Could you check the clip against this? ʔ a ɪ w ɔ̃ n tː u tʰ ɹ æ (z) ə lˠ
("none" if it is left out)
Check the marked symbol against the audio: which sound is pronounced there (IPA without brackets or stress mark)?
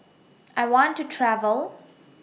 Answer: v